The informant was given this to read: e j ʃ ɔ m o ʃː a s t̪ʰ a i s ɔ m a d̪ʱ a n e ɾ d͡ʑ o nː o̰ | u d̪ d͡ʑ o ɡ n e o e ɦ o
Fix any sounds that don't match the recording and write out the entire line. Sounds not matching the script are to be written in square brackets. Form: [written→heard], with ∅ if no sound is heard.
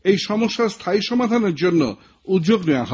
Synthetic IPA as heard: e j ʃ ɔ m o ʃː a s t̪ʰ a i [s→ʃ] ɔ m a d̪ʱ a n e ɾ d͡ʑ o nː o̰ | u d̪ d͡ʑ o ɡ n e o [e→a] ɦ [o→ɔ]